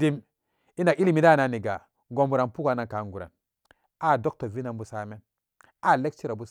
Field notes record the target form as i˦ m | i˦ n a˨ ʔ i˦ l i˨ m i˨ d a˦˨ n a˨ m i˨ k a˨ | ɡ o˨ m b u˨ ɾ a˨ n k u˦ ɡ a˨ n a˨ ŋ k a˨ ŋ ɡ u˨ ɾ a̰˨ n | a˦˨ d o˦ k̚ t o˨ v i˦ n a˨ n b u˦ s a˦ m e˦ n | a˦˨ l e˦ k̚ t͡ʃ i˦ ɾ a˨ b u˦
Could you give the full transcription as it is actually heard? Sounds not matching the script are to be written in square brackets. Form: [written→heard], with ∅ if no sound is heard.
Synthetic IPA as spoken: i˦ m | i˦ n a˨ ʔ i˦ l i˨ m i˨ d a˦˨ n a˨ [m→n] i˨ [k→ɡ] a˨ | ɡ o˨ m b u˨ ɾ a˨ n [k→p] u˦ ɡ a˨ n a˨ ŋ k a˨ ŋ ɡ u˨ ɾ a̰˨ n | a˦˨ d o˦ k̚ t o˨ v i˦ n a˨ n b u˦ s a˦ m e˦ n | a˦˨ l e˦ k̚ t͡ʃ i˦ ɾ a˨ b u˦

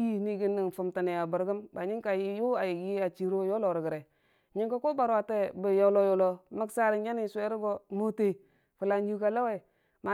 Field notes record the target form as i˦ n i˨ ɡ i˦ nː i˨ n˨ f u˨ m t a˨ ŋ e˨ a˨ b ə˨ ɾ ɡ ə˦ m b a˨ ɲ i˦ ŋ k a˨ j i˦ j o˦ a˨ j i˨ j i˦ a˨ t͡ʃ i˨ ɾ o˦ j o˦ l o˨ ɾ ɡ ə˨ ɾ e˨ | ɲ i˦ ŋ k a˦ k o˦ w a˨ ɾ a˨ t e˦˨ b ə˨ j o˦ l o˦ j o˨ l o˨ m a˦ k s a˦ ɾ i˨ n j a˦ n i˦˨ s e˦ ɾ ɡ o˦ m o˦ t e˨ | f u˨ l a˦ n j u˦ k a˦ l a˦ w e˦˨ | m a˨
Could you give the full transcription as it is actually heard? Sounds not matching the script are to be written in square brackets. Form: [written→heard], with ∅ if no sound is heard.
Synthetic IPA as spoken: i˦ n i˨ ɡ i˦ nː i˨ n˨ f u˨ m t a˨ [ŋ→n] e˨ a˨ b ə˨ ɾ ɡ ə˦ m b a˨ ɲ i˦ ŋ k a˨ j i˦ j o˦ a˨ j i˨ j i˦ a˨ t͡ʃ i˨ ɾ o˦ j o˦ l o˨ ɾ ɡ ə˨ ɾ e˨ | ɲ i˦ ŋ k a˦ k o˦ [w→b] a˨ ɾ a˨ t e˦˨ b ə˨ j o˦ l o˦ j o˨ l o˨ m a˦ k s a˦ ɾ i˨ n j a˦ n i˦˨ s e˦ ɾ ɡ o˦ m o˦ t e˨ | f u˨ l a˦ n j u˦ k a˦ l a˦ w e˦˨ | m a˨

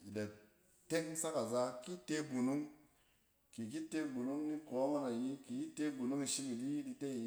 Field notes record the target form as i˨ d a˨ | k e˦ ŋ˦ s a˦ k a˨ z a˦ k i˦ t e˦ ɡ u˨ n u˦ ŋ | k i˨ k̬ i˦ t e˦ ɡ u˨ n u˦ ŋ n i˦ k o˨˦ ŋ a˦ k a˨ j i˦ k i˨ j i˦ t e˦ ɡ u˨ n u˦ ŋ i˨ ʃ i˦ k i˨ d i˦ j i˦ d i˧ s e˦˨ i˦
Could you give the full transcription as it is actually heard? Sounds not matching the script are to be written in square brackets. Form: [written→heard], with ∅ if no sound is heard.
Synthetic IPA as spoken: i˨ d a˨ | [k→t] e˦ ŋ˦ s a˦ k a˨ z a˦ k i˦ t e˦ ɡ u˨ n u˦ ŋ | k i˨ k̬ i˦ t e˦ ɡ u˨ n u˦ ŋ n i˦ k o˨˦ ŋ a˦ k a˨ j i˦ k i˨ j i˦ t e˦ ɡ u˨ n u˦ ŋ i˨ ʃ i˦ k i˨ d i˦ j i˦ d i˧ [s→t] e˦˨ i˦

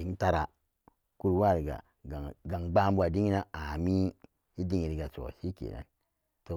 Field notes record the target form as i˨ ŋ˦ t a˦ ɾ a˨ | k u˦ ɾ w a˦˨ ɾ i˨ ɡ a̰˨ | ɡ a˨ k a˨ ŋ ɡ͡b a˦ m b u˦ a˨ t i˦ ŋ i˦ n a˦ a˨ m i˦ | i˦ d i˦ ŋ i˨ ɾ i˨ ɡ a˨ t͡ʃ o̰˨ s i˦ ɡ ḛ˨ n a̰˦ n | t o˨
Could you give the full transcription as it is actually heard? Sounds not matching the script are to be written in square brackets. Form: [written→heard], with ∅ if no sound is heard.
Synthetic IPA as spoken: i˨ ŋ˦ t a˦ ɾ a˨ | k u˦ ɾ w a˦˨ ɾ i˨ ɡ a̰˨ | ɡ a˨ [k→ɡ] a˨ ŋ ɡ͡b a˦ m b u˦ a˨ [t→d] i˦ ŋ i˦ n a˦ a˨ m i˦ | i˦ d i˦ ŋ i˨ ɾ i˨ ɡ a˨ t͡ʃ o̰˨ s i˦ [ɡ→k] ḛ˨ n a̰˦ n | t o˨

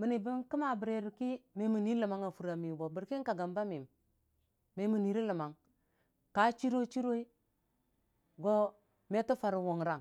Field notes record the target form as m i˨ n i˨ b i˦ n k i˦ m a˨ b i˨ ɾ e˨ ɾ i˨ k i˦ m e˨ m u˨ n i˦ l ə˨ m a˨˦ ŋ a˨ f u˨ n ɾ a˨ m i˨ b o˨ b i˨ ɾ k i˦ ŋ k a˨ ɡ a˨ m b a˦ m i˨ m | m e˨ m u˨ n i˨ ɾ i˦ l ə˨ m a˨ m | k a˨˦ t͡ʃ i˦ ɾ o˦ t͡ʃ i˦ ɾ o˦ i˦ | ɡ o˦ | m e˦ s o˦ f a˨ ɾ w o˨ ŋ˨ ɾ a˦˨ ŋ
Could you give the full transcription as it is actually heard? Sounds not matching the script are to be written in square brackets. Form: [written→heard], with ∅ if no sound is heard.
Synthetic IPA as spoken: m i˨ n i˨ b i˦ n k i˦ m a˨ b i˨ ɾ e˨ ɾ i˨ k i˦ m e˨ m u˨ n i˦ l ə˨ m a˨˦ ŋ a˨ f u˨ [n→∅] ɾ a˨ m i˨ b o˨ b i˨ ɾ k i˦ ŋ k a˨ ɡ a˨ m b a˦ m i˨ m | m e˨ m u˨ n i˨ ɾ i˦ l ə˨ m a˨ [m→ŋ] | k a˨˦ t͡ʃ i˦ ɾ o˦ t͡ʃ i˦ ɾ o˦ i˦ | ɡ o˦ | m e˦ [s→t] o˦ f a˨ ɾ w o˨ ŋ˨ ɾ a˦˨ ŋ

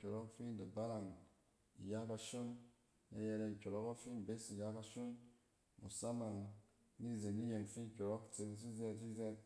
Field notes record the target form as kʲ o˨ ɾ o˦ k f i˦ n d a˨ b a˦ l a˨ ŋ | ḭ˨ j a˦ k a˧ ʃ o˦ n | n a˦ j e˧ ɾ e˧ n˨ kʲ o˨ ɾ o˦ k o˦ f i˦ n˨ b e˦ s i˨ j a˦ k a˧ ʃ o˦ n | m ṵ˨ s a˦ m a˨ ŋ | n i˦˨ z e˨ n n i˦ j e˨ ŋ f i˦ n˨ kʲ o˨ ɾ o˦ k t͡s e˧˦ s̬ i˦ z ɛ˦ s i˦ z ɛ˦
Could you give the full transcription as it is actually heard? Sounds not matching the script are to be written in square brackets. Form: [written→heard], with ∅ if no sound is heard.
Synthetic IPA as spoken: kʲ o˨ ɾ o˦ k f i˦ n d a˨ b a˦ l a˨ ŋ | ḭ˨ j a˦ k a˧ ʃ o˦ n | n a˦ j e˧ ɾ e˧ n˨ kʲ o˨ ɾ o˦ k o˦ f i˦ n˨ b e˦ s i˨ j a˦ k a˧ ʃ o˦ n | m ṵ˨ s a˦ m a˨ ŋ | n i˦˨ z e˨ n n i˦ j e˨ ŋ f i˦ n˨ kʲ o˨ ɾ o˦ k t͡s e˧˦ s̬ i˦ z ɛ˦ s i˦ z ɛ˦

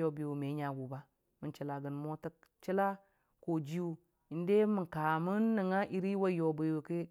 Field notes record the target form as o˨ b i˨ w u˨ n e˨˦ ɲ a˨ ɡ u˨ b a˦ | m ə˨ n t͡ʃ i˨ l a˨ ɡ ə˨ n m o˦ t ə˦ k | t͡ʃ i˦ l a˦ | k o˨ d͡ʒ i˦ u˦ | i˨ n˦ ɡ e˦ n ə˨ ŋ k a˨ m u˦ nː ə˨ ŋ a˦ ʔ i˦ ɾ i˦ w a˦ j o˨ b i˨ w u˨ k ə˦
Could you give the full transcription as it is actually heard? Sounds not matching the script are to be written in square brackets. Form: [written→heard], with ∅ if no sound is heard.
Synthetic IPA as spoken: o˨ b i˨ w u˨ [n→m] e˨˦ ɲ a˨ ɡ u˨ b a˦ | m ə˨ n t͡ʃ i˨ l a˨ ɡ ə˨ n m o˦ t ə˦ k | t͡ʃ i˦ l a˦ | k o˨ d͡ʒ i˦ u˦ | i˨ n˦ [ɡ→d] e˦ [n→m] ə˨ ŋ k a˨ m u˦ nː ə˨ ŋ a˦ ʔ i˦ ɾ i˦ w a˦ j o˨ b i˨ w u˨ k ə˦

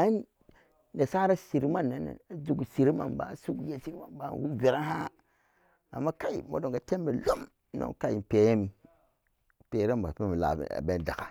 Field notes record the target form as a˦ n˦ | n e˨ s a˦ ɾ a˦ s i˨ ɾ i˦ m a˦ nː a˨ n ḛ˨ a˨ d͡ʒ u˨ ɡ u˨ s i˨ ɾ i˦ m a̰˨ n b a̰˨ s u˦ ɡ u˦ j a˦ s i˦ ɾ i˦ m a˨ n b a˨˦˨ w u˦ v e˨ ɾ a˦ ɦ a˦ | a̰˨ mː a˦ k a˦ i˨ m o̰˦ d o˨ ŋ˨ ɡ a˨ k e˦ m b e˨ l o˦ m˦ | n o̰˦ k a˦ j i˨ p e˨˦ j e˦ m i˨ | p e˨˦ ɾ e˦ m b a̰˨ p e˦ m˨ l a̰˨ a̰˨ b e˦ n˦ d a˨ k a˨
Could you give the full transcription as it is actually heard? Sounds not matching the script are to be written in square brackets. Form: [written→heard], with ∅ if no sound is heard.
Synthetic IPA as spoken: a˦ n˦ | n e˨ s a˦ ɾ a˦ s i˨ ɾ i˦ m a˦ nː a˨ n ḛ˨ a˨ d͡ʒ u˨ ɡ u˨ s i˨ ɾ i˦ m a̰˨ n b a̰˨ s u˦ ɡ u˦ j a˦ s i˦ ɾ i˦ m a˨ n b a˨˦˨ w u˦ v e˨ ɾ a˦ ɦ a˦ | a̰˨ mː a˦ k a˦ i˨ m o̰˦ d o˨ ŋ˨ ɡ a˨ [k→t] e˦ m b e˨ l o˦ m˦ | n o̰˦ k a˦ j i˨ p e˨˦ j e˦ m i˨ | p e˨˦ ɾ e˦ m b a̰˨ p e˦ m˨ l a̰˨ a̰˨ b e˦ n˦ d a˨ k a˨

